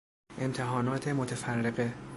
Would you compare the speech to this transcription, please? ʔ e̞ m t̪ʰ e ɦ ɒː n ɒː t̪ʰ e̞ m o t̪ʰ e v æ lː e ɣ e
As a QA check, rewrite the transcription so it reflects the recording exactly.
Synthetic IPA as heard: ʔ e̞ m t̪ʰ e ɦ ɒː n ɒː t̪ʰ e̞ m o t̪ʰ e f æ rː e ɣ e

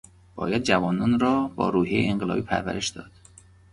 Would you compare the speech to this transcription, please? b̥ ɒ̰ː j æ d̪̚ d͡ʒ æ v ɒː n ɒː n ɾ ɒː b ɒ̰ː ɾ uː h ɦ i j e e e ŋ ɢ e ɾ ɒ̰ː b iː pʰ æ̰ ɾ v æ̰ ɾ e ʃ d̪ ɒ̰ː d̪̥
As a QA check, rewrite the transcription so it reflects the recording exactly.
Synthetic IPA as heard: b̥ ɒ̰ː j æ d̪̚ d͡ʒ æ v ɒː n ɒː n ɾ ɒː b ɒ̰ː ɾ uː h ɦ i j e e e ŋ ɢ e l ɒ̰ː b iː pʰ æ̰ ɾ v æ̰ ɾ e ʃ d̪ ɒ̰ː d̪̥

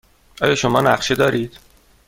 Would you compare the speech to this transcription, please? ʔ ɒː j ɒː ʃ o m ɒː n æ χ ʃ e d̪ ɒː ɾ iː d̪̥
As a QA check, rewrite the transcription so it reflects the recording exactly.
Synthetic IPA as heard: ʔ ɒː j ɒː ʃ o m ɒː n æ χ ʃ e d̪ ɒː ɾ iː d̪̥

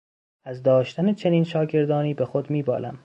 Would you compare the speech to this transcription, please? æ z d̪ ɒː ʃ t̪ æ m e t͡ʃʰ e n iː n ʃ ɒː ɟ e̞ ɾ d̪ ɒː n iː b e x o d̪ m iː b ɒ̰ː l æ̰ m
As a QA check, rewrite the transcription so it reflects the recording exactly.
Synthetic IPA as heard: æ z d̪ ɒː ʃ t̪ æ n e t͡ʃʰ e n iː n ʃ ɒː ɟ e̞ ɾ d̪ ɒː n iː b e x o d̪ m iː b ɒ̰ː l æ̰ m

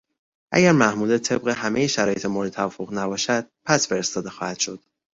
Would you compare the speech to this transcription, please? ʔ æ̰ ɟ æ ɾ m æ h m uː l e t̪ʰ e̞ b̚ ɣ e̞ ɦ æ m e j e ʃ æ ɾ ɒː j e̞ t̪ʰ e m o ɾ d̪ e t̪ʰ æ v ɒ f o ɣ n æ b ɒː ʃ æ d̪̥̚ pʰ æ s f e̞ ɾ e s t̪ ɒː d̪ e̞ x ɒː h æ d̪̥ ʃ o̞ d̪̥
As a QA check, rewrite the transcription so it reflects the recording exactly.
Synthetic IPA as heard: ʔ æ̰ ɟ æ ɾ m æ h m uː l e t̪ʰ e̞ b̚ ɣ e̞ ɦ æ m e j e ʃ æ ɾ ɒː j e̞ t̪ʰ e m o ɾ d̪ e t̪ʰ æ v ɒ f o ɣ n æ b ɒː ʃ æ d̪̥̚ pʰ æ s f e̞ ɾ e s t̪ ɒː d̪ e̞ x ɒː h æ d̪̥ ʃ o̞ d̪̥

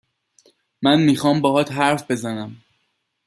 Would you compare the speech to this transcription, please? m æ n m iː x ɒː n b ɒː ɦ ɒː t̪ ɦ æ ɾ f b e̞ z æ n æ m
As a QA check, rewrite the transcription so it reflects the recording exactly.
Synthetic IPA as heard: m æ n m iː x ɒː m b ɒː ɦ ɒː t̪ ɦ æ ɾ f b e̞ z æ n æ m

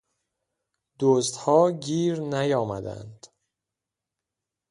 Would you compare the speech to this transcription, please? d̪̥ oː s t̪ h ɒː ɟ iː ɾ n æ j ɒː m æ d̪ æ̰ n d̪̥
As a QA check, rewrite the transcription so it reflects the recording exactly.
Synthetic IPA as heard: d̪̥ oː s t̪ h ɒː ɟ iː ɾ n æ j ɒː m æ d̪ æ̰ n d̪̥

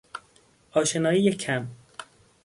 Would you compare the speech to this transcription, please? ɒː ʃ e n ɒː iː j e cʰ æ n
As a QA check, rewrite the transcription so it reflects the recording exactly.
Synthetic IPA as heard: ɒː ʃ e n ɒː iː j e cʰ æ m

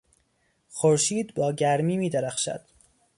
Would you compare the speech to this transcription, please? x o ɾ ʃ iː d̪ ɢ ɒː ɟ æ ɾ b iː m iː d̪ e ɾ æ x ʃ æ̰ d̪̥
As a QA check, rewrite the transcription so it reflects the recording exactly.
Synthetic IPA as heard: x o ɾ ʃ iː d̪ b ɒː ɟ æ ɾ m iː m iː d̪ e ɾ æ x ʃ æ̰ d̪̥

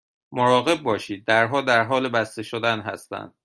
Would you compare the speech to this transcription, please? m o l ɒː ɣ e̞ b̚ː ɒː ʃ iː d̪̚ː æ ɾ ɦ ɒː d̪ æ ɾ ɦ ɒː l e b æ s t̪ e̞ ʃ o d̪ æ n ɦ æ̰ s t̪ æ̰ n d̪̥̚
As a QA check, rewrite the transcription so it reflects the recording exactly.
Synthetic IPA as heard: m o ɾ ɒː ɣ e̞ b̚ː ɒː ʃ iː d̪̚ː æ ɾ ɦ ɒː d̪ æ ɾ ɦ ɒː l e b æ s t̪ e̞ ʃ o d̪ æ n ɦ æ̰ s t̪ æ̰ n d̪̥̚

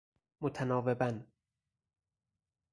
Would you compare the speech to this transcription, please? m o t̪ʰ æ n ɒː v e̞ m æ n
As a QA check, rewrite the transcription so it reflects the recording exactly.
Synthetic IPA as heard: m o t̪ʰ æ n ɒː v e̞ b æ n

